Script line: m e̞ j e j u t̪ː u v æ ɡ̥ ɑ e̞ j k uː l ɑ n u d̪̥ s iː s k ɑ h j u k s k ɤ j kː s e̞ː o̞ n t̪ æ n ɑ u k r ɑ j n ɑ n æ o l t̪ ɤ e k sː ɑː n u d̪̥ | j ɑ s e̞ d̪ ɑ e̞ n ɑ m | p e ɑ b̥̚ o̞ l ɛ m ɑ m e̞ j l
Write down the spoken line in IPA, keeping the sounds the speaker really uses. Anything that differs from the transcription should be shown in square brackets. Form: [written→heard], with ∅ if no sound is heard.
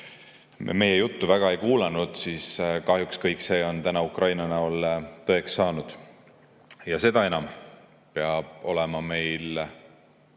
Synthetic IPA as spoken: m e̞ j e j u t̪ː u v æ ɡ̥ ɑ e̞ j k uː l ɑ n u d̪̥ s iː s k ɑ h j u k s k ɤ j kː s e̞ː o̞ n t̪ æ n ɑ u k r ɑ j n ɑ n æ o l t̪ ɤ e k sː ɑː n u d̪̥ | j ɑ s e̞ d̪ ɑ e̞ n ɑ m | p e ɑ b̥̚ o̞ l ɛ m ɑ m e̞ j l